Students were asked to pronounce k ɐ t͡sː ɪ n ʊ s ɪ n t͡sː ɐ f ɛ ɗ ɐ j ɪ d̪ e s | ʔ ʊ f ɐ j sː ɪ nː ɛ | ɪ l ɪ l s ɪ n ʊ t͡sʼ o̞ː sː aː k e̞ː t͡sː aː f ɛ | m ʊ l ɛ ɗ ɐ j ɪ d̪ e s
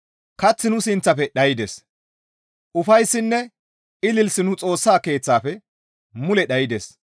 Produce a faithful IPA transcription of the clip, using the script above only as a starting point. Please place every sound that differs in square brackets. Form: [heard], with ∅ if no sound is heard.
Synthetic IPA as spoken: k ɐ t͡sː ɪ n ʊ s ɪ n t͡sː ɐ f ɛ ɗ ɐ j ɪ d̪ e s | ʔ ʊ f ɐ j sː ɪ nː ɛ | ɪ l ɪ l s ɪ n ʊ t͡sʼ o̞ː sː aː k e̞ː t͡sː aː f ɛ | m ʊ l ɛ ɗ ɐ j ɪ d̪ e s